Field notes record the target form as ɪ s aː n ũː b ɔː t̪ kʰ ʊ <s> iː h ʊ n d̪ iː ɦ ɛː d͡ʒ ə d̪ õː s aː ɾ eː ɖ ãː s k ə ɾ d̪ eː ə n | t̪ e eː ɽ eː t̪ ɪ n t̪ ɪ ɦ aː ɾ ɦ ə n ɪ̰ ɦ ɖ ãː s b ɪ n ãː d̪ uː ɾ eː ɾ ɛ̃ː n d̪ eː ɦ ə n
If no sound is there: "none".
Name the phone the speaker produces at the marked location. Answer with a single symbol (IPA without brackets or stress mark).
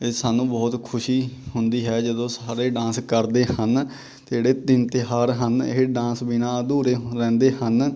ʃ